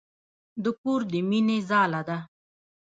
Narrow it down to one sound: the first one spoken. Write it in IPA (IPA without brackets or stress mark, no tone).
d̪